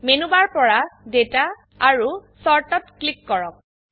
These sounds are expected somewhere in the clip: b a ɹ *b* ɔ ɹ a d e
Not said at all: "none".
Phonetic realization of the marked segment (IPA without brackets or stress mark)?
p